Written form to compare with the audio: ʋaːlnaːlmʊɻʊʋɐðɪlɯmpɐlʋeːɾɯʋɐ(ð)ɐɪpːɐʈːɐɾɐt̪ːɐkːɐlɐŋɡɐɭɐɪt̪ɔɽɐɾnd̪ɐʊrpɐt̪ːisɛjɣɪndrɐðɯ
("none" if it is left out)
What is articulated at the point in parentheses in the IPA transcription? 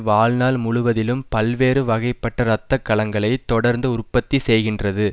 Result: ɣ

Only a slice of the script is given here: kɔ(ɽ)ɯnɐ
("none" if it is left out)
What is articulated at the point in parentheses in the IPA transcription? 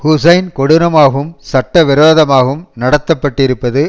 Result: ɽ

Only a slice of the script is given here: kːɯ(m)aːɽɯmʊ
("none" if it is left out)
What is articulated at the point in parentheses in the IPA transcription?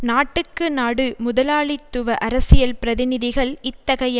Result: n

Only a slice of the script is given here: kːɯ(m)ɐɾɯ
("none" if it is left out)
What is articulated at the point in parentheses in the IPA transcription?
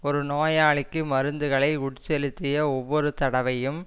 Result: m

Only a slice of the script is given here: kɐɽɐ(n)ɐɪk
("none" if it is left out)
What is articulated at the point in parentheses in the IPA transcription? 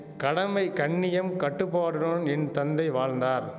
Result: m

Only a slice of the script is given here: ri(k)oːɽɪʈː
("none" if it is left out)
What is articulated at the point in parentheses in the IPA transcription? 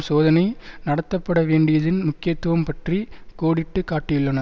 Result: k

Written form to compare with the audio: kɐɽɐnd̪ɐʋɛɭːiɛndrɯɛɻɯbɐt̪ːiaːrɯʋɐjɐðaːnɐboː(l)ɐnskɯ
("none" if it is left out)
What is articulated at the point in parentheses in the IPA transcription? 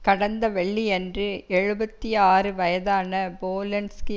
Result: l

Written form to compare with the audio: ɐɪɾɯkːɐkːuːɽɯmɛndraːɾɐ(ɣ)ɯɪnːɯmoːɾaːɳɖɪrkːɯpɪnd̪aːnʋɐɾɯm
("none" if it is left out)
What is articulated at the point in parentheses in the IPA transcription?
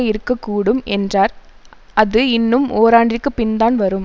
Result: ð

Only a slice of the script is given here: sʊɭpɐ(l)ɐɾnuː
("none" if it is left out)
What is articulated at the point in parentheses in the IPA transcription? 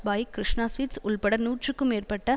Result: ɽ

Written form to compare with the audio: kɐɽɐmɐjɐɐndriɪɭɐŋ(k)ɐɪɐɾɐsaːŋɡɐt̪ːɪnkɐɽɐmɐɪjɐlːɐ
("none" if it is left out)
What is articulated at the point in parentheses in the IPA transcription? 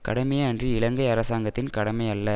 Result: ɡ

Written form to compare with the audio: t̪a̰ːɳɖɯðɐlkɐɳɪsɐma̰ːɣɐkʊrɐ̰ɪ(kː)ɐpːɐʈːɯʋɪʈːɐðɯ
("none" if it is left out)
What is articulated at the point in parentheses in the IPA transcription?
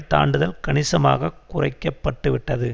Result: kː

